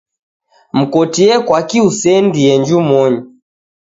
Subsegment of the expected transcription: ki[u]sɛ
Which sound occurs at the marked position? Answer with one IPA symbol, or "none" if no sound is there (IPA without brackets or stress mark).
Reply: u